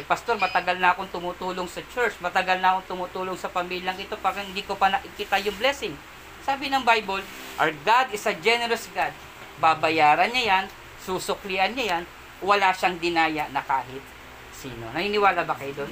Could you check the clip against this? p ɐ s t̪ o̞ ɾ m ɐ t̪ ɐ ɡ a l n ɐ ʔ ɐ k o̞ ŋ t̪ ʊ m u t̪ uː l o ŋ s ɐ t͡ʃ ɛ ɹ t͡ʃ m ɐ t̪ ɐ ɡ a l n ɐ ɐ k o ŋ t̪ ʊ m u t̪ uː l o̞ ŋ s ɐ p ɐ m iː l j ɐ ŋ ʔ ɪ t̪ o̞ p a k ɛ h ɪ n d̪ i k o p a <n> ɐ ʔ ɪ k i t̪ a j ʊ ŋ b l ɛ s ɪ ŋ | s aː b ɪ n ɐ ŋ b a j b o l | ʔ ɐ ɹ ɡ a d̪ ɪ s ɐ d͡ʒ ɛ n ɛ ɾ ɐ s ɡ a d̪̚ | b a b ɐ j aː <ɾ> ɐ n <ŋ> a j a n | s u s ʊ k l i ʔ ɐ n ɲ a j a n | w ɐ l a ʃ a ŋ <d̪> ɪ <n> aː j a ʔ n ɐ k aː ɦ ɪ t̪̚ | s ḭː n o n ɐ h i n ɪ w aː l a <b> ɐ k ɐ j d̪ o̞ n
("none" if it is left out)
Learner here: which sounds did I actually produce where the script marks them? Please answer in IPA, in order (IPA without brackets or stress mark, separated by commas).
n, ɾ, ɲ, d̪, n, b